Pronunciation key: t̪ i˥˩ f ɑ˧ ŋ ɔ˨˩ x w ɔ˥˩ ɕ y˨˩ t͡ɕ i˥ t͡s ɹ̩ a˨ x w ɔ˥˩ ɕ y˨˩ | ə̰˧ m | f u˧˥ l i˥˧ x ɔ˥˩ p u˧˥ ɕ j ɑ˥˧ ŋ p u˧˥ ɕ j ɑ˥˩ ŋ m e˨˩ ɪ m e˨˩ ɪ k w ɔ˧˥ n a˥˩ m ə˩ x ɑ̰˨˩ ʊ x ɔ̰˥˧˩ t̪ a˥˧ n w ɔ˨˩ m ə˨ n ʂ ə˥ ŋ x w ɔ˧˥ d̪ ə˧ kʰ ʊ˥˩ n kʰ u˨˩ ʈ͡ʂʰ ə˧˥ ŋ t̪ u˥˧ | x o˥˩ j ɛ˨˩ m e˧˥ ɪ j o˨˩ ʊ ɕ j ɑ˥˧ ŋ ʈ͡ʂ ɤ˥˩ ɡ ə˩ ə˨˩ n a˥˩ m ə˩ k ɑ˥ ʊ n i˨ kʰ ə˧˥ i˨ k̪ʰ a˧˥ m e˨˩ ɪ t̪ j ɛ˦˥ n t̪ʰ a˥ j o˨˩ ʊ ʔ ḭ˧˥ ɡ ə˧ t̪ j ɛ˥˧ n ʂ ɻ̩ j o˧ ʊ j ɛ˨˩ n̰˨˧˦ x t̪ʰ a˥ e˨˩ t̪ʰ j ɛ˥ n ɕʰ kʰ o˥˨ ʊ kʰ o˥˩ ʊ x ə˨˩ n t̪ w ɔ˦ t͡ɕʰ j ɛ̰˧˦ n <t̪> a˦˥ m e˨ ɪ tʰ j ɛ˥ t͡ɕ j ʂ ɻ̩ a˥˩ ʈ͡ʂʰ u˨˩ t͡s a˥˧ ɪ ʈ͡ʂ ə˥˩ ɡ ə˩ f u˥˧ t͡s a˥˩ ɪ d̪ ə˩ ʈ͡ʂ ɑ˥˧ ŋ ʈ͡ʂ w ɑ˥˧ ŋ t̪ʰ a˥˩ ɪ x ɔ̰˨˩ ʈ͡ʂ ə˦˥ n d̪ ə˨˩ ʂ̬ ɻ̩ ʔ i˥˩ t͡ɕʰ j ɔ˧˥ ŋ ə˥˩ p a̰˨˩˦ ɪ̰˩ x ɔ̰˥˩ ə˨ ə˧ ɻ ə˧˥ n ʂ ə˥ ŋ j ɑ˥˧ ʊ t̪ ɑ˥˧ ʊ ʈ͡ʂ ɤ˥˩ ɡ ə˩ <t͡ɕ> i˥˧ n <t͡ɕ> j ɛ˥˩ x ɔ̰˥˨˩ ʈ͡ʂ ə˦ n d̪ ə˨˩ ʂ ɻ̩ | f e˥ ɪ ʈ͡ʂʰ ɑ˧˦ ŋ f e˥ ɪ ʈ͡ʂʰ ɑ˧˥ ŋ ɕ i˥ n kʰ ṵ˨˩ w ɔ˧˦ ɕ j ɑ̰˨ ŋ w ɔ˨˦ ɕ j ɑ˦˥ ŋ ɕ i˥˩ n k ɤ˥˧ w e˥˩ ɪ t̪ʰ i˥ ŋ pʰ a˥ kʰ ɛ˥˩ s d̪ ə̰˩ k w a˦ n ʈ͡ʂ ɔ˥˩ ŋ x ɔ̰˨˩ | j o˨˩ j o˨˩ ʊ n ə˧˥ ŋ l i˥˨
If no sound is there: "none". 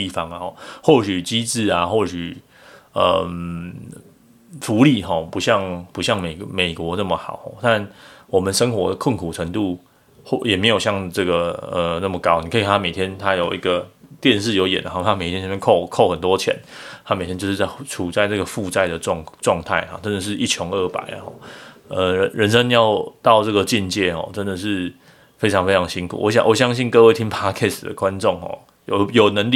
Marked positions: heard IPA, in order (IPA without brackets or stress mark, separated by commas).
t̪ʰ, t͡ɕ, t͡ɕ